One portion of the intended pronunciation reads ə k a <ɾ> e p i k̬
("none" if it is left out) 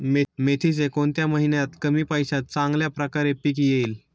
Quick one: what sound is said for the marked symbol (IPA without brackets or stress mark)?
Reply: ɾ